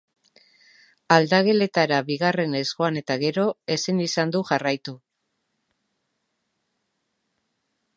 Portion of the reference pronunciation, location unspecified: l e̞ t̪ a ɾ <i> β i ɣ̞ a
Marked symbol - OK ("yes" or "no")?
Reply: no